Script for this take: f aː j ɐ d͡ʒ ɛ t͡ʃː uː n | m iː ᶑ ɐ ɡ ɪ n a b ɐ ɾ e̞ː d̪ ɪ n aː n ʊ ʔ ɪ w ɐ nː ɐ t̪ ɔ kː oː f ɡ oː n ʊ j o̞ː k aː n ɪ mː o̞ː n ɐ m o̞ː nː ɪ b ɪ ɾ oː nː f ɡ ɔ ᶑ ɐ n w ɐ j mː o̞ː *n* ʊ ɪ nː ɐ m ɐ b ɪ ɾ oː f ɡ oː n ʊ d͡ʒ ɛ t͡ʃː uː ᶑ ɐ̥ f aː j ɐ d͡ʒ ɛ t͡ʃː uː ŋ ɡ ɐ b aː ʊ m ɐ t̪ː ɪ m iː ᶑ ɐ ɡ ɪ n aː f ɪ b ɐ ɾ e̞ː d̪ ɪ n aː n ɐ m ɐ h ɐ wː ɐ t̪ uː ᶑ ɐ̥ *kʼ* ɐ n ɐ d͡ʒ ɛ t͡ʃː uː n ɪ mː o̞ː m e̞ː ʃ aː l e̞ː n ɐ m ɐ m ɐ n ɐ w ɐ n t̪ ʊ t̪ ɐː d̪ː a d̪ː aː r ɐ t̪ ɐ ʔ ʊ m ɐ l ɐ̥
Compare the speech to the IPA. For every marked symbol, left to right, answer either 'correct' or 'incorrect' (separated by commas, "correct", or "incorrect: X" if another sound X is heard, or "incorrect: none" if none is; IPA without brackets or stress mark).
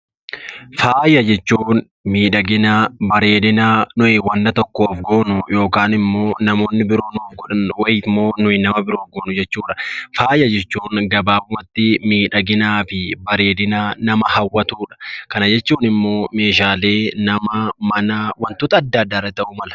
correct, incorrect: k